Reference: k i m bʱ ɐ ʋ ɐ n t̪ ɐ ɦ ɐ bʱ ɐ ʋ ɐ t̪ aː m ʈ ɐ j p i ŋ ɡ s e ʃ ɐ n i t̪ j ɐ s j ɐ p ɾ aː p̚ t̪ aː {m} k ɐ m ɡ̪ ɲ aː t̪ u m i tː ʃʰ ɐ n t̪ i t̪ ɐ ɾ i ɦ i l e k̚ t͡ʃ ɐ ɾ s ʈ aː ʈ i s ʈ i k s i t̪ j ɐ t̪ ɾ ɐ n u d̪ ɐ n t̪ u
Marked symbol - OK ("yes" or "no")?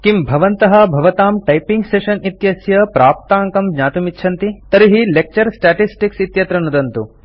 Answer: no